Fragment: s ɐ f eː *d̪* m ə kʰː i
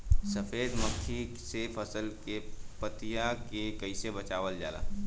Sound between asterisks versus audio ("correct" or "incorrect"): correct